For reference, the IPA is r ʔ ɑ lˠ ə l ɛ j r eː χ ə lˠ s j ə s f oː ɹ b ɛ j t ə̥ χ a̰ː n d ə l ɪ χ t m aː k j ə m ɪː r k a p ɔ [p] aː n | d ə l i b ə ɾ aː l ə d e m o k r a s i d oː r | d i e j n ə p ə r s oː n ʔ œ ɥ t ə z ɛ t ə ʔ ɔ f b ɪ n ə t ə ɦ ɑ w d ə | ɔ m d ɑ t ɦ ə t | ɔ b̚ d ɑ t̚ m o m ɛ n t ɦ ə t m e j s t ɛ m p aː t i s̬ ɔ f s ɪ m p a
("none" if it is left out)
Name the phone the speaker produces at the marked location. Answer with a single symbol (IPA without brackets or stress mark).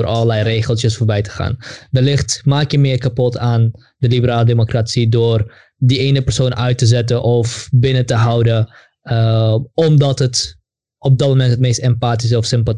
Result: t